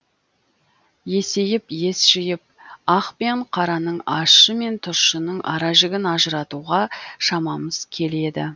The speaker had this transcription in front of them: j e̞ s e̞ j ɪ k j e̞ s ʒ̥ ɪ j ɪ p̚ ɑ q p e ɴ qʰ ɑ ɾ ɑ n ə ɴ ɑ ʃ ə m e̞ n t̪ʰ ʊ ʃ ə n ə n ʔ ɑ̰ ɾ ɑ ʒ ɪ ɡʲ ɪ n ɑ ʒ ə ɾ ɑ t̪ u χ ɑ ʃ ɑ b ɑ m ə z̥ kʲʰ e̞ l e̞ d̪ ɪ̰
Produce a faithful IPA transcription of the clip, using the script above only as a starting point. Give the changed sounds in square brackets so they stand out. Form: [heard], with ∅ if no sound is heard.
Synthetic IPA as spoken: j e̞ s e̞ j ɪ [p] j e̞ s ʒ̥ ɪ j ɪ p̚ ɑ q p e ɴ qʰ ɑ ɾ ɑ n ə ɴ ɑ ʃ ə m e̞ n t̪ʰ ʊ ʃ ə n ə [ɴ] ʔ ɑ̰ ɾ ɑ ʒ ɪ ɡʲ ɪ n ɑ ʒ ə ɾ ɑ t̪ u [ʁ] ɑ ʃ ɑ [m] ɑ m ə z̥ kʲʰ e̞ l e̞ d̪ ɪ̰